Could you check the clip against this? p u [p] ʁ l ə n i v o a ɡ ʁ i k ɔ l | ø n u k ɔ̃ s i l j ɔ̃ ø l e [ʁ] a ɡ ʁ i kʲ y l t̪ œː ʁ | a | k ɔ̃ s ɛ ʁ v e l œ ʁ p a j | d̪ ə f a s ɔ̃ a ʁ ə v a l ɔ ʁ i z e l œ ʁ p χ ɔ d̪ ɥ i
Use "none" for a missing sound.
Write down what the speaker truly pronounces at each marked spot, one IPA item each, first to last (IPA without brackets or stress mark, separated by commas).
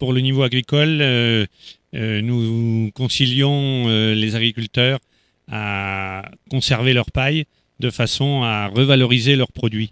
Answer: none, z